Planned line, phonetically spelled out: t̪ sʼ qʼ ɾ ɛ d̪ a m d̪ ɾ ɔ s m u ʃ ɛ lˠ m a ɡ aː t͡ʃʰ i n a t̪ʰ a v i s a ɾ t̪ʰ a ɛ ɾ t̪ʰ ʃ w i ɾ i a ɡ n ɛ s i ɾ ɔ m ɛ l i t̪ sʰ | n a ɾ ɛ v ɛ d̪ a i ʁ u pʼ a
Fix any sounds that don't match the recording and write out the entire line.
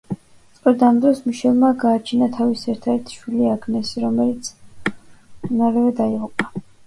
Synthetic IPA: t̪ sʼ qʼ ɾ ɛ d̪ a m d̪ ɾ ɔ s m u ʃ ɛ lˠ m a ɡ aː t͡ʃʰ i n a t̪ʰ a v i s ɛ ɾ t̪ʰ a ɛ ɾ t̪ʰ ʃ w i l i a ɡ n ɛ s i ɾ ɔ m ɛ l i t̪ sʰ | n a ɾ ɛ v ɛ d̪ a i ʁ u pʼ a